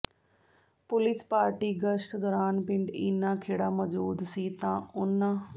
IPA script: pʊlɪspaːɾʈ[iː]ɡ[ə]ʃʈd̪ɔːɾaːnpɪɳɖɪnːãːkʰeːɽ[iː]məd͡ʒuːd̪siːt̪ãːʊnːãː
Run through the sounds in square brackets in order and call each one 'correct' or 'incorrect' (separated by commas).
correct, correct, incorrect